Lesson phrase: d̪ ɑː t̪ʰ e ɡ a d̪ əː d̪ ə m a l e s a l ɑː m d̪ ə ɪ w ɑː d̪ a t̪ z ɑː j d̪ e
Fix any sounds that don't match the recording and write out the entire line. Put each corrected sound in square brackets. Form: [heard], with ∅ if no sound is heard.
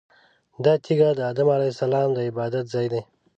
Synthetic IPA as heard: d̪ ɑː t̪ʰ [i] ɡ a d̪ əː d̪ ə m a l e s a l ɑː m d̪ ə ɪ [b] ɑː d̪ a t̪ z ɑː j d̪ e